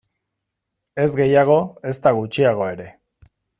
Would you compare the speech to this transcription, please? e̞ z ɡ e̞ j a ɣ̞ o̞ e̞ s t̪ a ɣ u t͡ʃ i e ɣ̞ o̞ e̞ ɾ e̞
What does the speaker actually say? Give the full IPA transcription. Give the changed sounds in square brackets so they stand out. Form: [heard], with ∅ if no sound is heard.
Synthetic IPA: e̞ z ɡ e̞ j a ɣ̞ o̞ e̞ s t̪ a ɣ u t͡ʃ i [a] ɣ̞ o̞ e̞ ɾ e̞